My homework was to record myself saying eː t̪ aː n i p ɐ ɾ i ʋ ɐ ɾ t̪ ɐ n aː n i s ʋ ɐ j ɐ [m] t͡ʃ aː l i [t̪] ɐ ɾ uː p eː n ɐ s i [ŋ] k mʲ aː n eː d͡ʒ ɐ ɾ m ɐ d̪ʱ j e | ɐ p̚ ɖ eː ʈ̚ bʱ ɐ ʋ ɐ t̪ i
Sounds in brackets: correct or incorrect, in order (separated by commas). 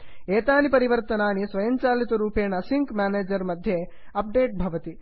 incorrect, correct, correct